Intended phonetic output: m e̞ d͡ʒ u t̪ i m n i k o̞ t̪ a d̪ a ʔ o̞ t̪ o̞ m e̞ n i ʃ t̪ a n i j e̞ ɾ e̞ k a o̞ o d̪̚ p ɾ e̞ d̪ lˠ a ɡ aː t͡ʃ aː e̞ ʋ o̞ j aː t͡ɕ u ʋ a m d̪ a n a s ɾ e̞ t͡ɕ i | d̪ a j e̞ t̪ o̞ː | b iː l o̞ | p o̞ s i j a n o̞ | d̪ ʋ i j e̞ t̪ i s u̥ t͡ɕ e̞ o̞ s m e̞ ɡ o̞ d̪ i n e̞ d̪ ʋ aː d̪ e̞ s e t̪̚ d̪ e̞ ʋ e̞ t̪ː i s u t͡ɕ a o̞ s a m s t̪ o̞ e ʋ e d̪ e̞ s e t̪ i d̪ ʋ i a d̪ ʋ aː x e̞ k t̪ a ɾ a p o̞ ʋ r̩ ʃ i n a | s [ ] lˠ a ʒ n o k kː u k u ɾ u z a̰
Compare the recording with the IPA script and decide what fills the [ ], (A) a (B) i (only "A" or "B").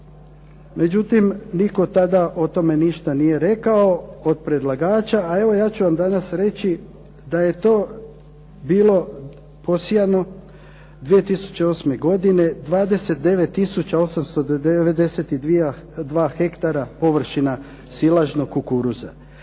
B